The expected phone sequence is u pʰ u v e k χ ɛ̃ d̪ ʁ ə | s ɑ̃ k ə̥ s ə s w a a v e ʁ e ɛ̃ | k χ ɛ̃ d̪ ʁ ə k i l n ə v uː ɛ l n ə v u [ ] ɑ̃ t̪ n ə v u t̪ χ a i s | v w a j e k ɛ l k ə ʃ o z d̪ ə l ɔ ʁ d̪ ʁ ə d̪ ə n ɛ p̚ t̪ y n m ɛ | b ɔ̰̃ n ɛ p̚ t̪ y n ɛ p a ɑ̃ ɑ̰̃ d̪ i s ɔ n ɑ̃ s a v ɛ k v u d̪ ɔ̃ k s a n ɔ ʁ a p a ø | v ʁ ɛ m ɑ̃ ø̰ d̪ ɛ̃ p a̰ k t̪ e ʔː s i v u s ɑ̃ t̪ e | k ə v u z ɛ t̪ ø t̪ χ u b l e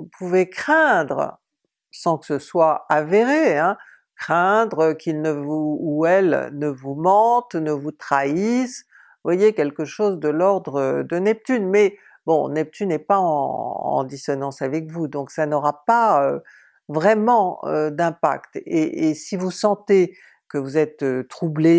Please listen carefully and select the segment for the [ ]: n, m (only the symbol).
m